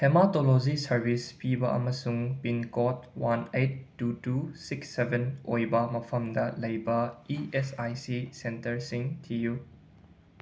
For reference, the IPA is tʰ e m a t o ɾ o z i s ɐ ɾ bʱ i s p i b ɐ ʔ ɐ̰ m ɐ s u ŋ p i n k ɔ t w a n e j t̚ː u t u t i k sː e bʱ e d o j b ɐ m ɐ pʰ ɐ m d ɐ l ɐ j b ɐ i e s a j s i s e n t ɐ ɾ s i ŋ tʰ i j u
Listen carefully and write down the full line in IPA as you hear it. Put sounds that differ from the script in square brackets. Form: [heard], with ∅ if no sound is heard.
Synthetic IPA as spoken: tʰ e m a t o [l] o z i s ɐ ɾ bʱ i s p i b ɐ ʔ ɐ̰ m ɐ s u ŋ p i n k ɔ t w a n e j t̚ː u t u [s] i k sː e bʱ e [n] o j b ɐ m ɐ pʰ ɐ m d ɐ l ɐ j b ɐ i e s a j s i s e n t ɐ ɾ s i ŋ tʰ i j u

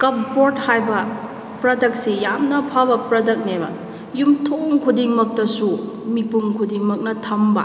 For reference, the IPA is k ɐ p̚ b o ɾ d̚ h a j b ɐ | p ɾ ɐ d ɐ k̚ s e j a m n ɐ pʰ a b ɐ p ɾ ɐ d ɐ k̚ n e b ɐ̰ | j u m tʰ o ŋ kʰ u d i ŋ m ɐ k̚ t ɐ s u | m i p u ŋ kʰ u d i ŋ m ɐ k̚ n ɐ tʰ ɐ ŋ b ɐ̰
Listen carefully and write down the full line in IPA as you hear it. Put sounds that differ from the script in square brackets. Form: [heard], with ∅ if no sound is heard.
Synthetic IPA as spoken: k ɐ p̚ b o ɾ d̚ h a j b ɐ | p ɾ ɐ d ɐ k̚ s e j a m n ɐ pʰ a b ɐ p ɾ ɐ d ɐ k̚ n e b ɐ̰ | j u m tʰ o ŋ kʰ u d i ŋ m ɐ k̚ t ɐ s u | m i p u ŋ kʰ u d i ŋ m ɐ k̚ n ɐ tʰ ɐ [m] b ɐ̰

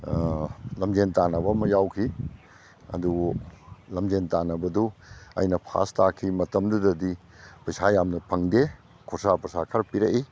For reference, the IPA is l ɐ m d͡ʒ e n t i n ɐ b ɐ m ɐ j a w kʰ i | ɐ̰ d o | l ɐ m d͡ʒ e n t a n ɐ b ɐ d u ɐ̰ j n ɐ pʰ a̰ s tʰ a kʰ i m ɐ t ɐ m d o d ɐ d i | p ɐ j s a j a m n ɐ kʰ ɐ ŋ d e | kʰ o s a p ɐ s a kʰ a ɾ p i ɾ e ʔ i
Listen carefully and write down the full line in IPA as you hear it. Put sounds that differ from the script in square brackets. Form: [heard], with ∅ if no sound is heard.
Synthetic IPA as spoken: l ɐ m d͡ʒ e n t [a] n ɐ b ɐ m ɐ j a w kʰ i | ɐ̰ d [u] | l ɐ m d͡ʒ e n t a n ɐ b ɐ d u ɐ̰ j n ɐ pʰ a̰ s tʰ a kʰ i m ɐ t ɐ m d [u] d ɐ d i | p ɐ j s a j a m n ɐ [pʰ] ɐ ŋ d e | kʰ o s a p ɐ s a kʰ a ɾ p i ɾ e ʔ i

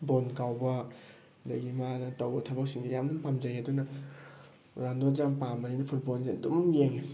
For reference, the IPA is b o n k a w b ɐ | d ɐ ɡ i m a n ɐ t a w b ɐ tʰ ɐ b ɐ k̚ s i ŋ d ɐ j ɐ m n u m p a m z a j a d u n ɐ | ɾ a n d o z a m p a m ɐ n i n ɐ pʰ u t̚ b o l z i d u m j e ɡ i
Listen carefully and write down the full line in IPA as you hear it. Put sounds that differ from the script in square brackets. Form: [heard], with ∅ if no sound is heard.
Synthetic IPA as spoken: b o n k a w b ɐ | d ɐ ɡ i m a n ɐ t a w b ɐ tʰ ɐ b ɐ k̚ s i ŋ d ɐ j [a] m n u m p a m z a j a d u n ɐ | ɾ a n d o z a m p a m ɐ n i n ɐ pʰ u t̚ b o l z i d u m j e [ŋ] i

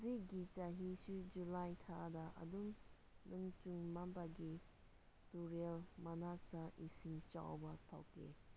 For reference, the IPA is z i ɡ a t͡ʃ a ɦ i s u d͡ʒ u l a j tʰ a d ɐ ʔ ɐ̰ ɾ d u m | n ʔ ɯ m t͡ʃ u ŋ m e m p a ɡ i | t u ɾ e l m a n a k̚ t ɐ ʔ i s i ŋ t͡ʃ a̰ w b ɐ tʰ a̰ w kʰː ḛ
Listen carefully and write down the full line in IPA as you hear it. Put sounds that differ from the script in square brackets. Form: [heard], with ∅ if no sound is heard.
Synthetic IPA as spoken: z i ɡ [i] t͡ʃ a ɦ i s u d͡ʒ u l a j tʰ a d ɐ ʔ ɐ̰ [∅] d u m | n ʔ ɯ [ŋ] t͡ʃ u ŋ m [a] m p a ɡ i | t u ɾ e l m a n a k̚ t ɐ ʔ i s i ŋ t͡ʃ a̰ w b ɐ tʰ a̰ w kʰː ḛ

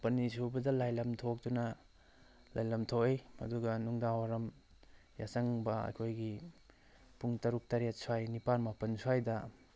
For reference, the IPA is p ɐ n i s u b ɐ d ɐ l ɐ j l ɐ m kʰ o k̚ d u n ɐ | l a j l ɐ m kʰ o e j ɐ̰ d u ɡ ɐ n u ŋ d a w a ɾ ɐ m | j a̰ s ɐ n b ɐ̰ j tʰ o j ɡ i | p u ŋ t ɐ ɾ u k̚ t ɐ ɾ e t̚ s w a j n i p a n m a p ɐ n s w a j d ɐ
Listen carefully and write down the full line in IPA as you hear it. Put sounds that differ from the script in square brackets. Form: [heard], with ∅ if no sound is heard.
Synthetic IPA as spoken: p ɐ n i s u b ɐ d ɐ l [a] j l ɐ m [tʰ] o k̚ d u n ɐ | l a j l ɐ m [tʰ] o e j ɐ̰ d u ɡ ɐ n u ŋ d a w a ɾ ɐ m | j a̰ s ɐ [ŋ] b ɐ̰ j [kʰ] o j ɡ i | p u ŋ t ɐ ɾ u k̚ t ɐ ɾ e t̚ s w a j n i p a n m a p ɐ n s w a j d ɐ

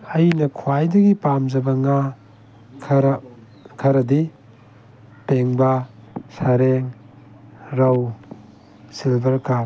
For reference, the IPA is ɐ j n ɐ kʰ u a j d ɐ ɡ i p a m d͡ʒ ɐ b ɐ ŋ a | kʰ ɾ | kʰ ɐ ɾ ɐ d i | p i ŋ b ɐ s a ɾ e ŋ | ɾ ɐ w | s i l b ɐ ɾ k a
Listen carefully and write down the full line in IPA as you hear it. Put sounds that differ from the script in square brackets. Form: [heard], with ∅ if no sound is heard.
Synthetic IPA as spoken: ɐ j n ɐ kʰ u a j d ɐ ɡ i p a m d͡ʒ ɐ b ɐ ŋ a | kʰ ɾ | kʰ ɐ ɾ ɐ d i | p [e] ŋ b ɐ s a ɾ e ŋ | ɾ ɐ w | s i l b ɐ ɾ k a

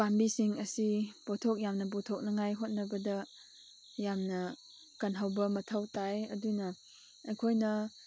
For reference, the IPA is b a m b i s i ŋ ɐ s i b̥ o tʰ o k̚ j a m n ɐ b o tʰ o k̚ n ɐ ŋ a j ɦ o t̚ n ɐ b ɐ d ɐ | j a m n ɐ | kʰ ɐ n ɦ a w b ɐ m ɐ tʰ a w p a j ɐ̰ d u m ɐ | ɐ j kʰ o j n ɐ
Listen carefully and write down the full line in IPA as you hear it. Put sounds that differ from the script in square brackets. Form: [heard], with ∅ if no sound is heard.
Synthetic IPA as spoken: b a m b i s i ŋ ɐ s i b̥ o tʰ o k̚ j a m n ɐ b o tʰ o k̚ n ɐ ŋ a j ɦ o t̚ n ɐ b ɐ d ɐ | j a m n ɐ | [k] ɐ n ɦ a w b ɐ m ɐ tʰ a w [t] a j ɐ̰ d u [n] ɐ | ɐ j kʰ o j n ɐ

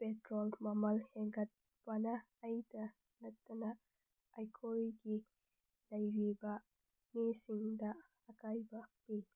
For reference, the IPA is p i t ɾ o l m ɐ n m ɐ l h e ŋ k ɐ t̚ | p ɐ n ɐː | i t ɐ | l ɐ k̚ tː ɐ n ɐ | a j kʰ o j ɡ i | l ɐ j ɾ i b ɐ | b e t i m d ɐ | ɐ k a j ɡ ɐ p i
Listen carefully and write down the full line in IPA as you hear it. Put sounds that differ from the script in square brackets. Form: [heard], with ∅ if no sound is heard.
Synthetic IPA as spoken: p [e] t ɾ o l m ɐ [∅] m ɐ l h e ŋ [ɡ] ɐ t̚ | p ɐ n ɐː | [j] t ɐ | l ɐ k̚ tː ɐ n ɐ | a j kʰ o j ɡ i | l ɐ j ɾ i b ɐ | [m] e [s] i [ŋ] d ɐ | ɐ k a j [b] ɐ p i

